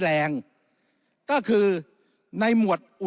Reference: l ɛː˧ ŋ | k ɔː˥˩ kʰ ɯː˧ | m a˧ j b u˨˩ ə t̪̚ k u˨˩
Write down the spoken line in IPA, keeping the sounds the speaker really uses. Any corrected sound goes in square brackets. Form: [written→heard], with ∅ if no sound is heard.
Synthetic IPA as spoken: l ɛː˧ ŋ | k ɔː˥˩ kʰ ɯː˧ | [m→n] a˧ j [b→m] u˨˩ ə t̪̚ [k→ʔ] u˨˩